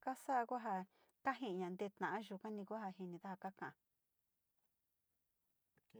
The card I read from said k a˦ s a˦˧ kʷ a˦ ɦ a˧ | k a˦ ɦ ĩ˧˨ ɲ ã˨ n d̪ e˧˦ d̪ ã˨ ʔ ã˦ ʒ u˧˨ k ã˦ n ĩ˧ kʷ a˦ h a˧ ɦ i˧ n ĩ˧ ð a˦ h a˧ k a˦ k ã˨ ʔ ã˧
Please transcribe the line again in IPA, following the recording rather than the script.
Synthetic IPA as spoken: k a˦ s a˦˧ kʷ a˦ ɦ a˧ | k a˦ ɦ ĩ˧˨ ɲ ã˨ n d̪ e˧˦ t̪ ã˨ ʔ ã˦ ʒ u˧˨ k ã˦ n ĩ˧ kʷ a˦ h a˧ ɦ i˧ n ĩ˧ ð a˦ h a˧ k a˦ k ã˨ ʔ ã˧